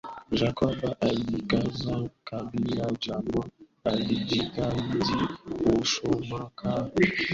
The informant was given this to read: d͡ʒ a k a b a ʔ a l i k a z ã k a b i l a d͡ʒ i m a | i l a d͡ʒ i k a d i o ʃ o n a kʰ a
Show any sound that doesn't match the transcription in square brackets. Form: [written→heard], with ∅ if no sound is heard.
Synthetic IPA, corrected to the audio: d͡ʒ a k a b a ʔ a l i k a z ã k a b i l a d͡ʒ [i→a] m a | [i→a] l [a→i] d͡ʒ i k a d i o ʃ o [n→m] a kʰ a